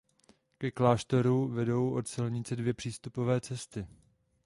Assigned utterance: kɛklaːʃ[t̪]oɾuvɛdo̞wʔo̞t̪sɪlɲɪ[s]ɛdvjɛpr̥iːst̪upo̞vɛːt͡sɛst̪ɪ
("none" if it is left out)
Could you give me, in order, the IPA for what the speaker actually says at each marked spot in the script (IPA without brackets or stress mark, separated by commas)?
t̪, t͡s